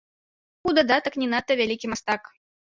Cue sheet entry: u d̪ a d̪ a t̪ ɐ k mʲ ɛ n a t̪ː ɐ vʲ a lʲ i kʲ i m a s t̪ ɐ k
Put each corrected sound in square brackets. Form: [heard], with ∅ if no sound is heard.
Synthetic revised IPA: u d̪ a d̪ a t̪ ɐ k [nʲ] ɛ n a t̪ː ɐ vʲ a lʲ i kʲ i m a s t̪ [a] k